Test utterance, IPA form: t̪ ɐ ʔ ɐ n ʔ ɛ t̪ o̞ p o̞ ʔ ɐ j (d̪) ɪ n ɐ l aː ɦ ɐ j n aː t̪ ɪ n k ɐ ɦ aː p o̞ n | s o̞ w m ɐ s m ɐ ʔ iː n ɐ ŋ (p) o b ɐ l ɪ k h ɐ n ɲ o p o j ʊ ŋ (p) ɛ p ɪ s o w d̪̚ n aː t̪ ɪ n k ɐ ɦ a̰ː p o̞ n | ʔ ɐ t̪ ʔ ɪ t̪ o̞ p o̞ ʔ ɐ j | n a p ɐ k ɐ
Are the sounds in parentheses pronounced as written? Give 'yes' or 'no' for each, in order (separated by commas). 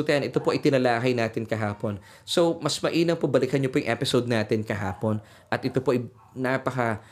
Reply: no, yes, no